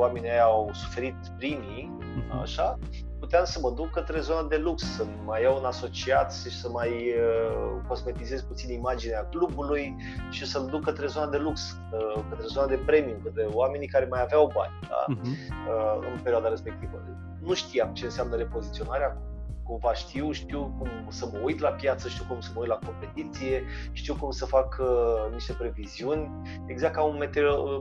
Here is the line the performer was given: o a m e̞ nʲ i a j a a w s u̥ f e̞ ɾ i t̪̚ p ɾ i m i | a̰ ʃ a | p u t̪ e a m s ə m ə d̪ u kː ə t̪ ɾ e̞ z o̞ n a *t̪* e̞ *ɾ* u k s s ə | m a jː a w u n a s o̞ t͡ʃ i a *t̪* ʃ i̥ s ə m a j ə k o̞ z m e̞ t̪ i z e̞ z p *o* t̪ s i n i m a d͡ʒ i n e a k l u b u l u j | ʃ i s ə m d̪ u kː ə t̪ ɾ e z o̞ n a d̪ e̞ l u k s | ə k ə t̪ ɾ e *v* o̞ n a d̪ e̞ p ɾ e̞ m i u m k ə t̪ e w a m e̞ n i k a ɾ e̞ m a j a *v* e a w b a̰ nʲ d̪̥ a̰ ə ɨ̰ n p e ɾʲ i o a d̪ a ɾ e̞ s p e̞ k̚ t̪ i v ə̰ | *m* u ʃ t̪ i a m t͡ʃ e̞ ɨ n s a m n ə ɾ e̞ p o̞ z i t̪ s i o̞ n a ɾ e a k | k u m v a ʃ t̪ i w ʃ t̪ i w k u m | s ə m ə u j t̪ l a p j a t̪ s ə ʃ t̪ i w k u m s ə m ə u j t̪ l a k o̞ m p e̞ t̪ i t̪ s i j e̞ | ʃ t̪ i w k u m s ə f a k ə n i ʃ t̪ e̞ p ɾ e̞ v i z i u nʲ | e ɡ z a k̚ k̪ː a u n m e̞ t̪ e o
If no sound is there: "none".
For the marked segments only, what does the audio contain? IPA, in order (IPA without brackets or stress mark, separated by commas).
d̪, l, t̪, u, z, v, n